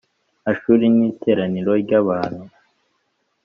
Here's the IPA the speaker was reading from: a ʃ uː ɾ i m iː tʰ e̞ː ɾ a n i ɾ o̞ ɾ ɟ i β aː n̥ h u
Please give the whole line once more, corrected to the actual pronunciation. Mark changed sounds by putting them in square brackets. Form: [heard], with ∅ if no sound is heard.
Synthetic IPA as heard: a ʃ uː ɾ i [n] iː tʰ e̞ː ɾ a n i ɾ o̞ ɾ ɟ [a] β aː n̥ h u